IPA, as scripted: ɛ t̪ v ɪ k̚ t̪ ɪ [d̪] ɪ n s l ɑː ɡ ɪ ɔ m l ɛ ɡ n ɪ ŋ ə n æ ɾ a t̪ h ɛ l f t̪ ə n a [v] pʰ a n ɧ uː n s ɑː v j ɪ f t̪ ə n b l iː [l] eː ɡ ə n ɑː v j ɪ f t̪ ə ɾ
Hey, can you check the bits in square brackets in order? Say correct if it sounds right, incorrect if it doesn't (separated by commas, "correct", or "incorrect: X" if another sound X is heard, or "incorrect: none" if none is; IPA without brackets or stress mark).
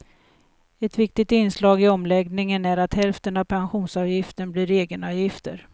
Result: incorrect: t̪, correct, incorrect: ɾ